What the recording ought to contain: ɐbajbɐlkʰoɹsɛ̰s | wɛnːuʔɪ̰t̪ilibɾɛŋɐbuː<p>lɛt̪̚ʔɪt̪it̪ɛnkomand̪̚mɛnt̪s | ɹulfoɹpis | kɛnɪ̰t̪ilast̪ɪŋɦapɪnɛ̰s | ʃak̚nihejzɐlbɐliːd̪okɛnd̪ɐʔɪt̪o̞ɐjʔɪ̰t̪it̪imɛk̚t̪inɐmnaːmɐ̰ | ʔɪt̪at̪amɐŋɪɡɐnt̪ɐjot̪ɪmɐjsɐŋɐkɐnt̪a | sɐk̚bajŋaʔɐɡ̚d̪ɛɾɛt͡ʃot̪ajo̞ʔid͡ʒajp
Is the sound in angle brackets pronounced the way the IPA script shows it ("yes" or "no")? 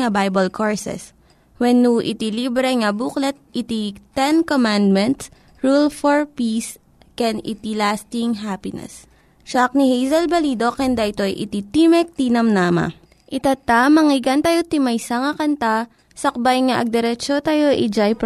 no